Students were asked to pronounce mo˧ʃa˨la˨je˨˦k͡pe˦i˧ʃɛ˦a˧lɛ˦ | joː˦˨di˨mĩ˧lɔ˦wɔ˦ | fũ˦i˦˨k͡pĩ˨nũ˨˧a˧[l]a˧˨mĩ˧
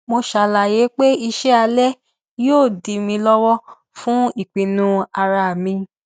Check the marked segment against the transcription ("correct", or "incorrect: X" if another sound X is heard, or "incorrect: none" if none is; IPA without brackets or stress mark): incorrect: ɾ